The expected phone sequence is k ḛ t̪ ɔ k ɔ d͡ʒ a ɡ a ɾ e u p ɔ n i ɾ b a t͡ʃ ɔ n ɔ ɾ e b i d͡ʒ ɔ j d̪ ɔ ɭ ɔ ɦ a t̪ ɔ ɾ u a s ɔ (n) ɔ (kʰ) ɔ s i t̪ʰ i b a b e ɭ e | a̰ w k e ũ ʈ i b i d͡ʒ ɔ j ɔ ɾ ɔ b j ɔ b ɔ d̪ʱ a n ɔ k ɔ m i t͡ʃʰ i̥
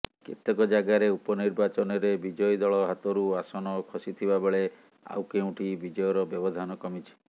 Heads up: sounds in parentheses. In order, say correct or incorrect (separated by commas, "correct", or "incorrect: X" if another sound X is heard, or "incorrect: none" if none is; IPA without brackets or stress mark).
correct, correct